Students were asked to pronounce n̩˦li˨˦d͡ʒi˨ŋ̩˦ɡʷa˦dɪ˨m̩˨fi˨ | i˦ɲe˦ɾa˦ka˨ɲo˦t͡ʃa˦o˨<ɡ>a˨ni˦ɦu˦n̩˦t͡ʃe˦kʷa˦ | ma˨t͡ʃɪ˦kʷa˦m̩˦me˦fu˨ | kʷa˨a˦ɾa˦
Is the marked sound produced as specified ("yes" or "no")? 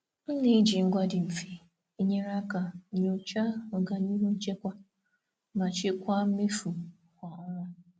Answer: yes